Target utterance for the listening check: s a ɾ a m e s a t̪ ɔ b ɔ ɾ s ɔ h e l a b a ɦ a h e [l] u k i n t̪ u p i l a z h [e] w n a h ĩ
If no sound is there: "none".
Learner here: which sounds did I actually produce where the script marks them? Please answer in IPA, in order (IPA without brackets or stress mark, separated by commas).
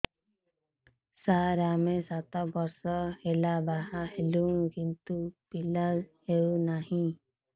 l, e